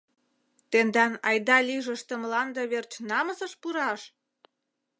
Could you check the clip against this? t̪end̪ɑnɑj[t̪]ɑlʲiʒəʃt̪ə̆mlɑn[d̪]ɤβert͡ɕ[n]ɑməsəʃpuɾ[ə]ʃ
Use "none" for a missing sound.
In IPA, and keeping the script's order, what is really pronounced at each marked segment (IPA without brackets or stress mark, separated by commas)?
d̪, d̪, n, ɑ